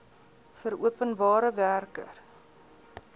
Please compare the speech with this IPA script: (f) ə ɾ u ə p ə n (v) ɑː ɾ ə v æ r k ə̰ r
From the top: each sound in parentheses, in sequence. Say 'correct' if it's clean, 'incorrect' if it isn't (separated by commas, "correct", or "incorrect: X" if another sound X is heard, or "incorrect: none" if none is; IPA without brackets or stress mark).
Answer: correct, incorrect: b